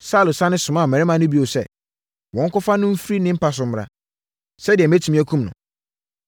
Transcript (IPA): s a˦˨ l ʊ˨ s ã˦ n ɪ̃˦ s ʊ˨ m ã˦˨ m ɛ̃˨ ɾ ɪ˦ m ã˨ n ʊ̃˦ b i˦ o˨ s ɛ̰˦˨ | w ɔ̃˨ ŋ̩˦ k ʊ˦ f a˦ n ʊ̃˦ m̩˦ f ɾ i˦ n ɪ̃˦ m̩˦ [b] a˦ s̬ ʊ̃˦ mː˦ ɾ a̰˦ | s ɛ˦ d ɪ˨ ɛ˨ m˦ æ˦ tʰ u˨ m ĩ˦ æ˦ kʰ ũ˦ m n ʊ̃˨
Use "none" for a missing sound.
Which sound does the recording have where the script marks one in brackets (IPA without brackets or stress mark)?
p